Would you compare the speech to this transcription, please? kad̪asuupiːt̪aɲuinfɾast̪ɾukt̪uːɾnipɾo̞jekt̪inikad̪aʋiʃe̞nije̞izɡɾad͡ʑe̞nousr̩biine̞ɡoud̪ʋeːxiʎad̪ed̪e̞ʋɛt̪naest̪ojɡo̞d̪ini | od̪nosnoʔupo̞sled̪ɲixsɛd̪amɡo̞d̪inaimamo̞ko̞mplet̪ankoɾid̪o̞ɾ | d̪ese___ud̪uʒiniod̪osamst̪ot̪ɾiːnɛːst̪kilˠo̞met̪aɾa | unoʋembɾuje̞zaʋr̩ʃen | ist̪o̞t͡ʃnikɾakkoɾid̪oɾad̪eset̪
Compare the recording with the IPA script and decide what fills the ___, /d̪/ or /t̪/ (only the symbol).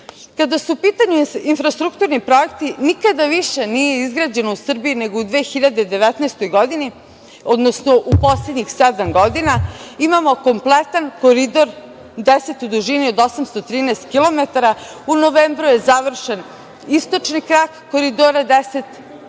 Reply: t̪